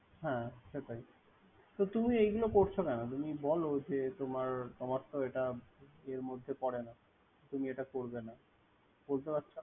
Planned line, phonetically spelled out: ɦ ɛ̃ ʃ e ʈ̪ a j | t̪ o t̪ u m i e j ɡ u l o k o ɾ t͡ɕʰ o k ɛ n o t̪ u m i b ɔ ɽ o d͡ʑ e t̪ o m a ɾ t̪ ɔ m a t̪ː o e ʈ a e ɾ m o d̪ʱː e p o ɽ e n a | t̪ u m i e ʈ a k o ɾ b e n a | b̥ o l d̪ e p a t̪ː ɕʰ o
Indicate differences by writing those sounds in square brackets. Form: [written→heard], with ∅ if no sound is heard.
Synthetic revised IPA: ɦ ɛ̃ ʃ e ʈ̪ a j | t̪ o t̪ u m i e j ɡ u l o k o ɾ t͡ɕʰ o k ɛ n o t̪ u m i b ɔ [ɽ→l] o d͡ʑ e t̪ o m a ɾ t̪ ɔ m a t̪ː o e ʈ a e ɾ m o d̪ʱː e p [o→ɔ] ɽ e n a | t̪ u m i e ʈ a k o ɾ b e n a | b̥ o l [d̪→t̪] e p a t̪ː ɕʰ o